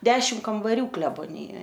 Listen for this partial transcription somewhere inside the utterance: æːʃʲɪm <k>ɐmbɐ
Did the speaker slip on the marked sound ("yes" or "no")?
no